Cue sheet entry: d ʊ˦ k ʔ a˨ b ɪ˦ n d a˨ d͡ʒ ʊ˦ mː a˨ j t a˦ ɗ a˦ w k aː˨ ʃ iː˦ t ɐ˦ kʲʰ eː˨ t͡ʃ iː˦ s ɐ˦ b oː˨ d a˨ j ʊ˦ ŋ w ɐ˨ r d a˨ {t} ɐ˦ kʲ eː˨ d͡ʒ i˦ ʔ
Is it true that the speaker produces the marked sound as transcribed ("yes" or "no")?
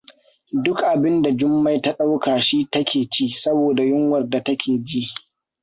yes